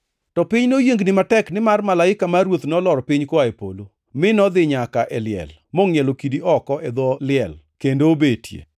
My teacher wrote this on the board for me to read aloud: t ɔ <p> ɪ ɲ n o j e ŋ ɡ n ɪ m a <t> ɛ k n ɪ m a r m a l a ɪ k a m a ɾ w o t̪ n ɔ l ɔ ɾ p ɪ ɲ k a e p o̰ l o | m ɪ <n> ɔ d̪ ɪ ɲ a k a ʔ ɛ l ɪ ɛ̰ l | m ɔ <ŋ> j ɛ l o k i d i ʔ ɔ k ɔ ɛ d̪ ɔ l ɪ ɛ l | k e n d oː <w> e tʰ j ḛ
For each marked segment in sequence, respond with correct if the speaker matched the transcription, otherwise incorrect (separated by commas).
correct, correct, correct, correct, incorrect